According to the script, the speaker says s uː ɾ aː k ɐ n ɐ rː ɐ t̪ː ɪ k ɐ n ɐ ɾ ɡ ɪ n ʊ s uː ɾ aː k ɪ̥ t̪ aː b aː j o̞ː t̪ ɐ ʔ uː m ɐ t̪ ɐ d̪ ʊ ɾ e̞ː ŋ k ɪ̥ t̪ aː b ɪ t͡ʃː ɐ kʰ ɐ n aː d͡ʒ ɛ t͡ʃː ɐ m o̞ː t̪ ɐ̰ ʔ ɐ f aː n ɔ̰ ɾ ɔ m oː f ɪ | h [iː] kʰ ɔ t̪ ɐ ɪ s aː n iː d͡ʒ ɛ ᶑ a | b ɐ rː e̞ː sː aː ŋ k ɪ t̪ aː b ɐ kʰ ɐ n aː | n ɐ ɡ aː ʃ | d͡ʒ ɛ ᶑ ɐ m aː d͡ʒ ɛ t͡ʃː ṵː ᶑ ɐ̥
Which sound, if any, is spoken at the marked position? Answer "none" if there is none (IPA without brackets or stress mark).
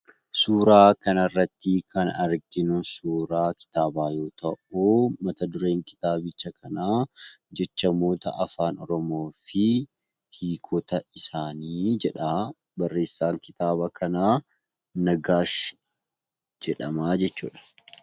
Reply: iː